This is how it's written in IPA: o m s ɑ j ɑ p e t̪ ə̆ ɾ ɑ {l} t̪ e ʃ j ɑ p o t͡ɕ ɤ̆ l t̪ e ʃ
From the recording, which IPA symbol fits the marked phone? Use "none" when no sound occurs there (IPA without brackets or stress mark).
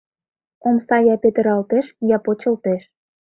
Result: l